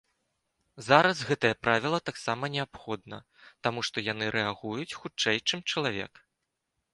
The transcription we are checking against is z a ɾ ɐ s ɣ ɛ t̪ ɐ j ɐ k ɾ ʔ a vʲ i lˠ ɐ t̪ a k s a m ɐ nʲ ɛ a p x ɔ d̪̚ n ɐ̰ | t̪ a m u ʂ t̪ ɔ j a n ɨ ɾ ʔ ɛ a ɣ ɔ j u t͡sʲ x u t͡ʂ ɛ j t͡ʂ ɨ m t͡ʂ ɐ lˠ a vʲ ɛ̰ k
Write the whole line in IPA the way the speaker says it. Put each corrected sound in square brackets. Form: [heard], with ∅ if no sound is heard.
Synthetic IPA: z a ɾ ɐ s ɣ ɛ t̪ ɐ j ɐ [p] ɾ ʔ a vʲ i lˠ ɐ t̪ a k s a m ɐ nʲ ɛ a p x ɔ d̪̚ n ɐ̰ | t̪ a m u ʂ t̪ ɔ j a n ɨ ɾ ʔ ɛ a ɣ [u] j u t͡sʲ x u t͡ʂ ɛ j t͡ʂ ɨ m t͡ʂ ɐ lˠ a vʲ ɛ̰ k